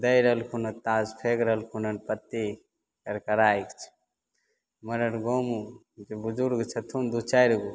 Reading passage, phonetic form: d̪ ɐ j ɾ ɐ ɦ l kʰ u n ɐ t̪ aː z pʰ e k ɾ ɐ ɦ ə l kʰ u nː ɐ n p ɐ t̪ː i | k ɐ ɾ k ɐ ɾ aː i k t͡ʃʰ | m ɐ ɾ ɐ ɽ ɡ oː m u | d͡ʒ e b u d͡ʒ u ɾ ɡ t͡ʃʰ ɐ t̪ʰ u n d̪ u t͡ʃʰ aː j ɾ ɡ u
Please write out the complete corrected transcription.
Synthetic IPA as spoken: d̪ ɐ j ɾ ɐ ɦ l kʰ u n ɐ t̪ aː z pʰ e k ɾ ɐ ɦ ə l kʰ u n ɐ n p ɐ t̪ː i | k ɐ ɾ k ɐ ɾ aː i k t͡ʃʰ | m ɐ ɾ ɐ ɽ ɡ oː m u | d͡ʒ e b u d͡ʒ u ɾ ɡ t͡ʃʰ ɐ t̪ʰ u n d̪ u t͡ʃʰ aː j ɾ ɡ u